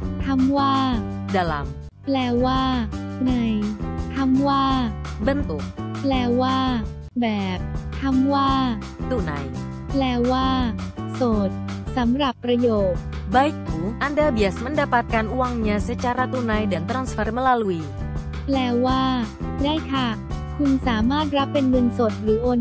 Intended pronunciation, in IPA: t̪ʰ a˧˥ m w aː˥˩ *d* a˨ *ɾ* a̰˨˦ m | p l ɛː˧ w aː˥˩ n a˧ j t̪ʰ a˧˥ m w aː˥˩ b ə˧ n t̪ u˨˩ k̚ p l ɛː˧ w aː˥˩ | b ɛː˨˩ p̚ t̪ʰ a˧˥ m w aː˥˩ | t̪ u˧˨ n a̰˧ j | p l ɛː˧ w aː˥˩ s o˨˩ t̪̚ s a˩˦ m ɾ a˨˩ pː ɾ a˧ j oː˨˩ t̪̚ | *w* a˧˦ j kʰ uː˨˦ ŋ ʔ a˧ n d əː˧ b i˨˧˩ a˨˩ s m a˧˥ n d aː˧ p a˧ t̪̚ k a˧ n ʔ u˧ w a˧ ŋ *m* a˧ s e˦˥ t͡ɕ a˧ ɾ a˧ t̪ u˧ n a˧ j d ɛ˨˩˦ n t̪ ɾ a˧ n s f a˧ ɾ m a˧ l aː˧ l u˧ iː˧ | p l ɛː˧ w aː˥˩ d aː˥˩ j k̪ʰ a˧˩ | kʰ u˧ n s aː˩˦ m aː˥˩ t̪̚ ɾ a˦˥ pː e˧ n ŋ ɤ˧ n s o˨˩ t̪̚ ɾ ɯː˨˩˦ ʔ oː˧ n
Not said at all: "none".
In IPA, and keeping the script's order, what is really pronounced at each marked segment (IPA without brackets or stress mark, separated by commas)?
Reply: d, l, b, ɲ